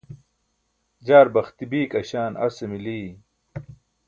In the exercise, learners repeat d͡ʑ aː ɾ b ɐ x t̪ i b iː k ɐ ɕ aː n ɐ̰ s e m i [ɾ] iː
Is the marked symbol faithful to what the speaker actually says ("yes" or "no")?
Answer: no